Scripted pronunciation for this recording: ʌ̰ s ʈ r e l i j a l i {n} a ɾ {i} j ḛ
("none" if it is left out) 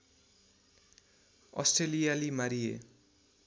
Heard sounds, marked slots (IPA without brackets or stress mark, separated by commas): m, i